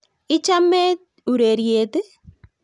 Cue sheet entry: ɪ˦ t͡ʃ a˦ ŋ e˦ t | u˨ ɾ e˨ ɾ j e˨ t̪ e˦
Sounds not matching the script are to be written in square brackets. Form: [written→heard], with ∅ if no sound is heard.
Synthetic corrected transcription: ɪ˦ t͡ʃ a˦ [ŋ→m] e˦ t | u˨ ɾ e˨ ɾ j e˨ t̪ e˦